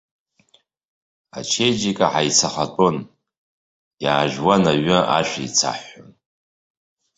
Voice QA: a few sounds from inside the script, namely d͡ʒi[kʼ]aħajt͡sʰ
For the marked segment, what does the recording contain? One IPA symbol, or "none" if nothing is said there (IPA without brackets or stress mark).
kʼ